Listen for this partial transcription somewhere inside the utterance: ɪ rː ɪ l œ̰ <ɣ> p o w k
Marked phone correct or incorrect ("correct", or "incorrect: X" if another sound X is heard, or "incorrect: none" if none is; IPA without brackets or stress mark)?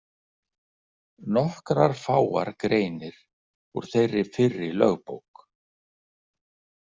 correct